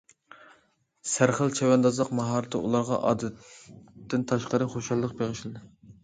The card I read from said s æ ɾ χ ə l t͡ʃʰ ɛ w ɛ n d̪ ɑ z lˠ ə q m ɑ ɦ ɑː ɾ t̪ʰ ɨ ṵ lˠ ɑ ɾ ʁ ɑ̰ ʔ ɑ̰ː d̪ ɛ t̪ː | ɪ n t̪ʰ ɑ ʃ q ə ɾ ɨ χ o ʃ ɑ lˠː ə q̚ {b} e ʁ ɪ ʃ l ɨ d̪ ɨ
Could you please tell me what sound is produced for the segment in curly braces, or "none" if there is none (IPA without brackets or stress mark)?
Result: b